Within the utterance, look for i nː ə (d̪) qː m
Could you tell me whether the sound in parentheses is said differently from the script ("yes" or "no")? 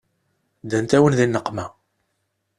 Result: yes